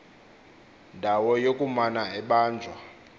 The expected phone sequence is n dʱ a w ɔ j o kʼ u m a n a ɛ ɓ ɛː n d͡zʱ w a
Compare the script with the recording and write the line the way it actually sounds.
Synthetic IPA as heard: n dʱ a w ɔ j o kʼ u m a n a ɛ ɓ aː n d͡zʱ w a